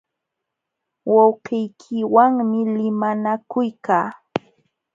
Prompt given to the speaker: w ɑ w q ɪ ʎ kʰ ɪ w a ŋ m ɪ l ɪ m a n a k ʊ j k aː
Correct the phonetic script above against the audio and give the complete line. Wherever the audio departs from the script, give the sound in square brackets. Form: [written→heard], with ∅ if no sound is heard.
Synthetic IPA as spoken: w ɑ w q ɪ [ʎ→j] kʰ ɪ w a ŋ m ɪ l ɪ m a n a k ʊ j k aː